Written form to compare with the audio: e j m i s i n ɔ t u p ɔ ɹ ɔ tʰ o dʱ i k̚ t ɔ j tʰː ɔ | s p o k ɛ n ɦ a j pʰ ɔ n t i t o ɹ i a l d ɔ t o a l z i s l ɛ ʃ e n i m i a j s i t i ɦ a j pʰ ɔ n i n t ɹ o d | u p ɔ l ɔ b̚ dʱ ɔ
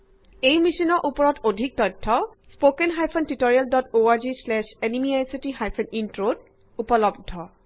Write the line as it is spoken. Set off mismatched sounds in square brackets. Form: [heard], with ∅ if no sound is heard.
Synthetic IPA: e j m i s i n ɔ [ʔ] u p ɔ ɹ ɔ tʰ o dʱ i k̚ t ɔ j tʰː ɔ | s p o k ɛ n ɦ a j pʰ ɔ n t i t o ɹ i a l d ɔ t o a [ɹ] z i s l ɛ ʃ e n i m i a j s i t i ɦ a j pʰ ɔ n i n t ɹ o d | u p ɔ l ɔ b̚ dʱ ɔ